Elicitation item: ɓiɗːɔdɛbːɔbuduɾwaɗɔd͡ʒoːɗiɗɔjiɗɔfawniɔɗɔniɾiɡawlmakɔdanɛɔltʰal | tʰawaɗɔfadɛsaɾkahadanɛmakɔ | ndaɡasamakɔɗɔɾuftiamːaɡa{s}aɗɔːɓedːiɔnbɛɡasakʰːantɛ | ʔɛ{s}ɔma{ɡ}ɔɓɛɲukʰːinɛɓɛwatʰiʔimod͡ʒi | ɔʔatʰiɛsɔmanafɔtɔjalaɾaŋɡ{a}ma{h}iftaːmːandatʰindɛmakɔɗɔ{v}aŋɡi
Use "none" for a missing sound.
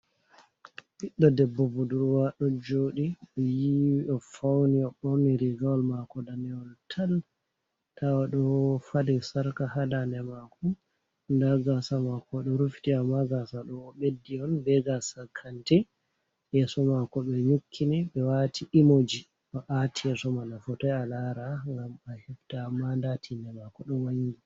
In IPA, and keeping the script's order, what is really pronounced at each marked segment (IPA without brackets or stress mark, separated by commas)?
s, s, k, a, h, w